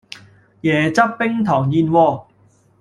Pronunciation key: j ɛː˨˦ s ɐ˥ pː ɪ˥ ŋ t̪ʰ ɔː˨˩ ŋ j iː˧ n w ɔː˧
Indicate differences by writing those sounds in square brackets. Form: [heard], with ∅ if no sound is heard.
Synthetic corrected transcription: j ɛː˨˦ [t͡s] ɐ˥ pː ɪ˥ ŋ t̪ʰ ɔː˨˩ ŋ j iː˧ n w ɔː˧